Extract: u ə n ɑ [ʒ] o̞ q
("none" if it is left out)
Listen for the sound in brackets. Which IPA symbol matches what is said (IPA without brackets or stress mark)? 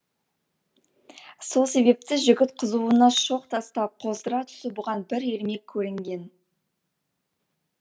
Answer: ʃ